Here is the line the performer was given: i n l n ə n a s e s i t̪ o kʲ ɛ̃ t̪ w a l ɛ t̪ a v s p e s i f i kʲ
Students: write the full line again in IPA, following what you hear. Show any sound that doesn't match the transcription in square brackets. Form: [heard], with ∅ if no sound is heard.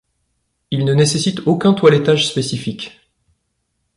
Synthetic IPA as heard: i [∅] l n ə n [e] s e s i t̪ o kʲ ɛ̃ t̪ w a l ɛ t̪ a [ʒ] s p e s i f i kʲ